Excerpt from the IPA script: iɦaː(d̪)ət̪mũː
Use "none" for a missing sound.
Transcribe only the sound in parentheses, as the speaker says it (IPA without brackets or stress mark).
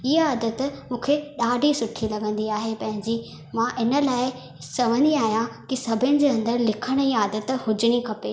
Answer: d̪